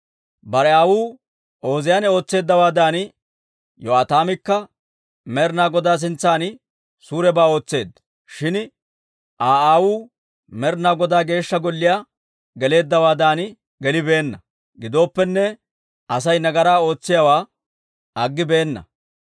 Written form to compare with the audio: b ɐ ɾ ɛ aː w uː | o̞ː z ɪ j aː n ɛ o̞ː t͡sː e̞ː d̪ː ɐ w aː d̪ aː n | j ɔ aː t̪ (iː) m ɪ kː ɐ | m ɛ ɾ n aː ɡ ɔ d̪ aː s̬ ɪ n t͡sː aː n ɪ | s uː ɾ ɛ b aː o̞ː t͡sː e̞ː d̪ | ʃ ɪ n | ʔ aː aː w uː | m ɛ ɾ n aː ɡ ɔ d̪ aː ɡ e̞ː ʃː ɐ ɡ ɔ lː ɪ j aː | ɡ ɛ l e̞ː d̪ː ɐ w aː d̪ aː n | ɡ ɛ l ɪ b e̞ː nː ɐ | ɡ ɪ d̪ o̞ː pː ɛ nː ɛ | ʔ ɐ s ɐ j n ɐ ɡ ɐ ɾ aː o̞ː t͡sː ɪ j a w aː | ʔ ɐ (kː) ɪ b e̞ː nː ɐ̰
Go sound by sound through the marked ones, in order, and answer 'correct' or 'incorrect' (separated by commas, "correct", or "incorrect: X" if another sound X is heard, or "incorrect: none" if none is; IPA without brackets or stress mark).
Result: incorrect: aː, incorrect: ɡː